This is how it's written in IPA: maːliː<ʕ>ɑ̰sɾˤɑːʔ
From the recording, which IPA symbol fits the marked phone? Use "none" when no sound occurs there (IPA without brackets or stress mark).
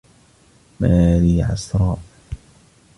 ʕ